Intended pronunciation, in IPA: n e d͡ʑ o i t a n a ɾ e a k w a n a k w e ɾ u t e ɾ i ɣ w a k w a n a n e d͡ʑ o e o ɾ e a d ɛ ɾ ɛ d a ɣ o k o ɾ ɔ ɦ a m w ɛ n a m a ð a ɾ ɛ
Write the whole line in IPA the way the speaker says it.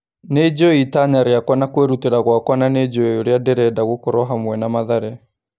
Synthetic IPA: n e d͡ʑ o i t a ɲ a ɾ e a k w a n a k w e ɾ u t e ɾ a ɣ w a k w a n a n e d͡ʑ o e o ɾ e a d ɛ ɾ ɛ d a ɣ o k o ɾ ɔ ɦ a m w ɛ n a m a ð a ɾ ɛ